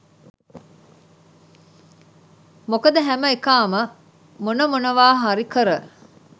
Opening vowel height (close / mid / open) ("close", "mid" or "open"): mid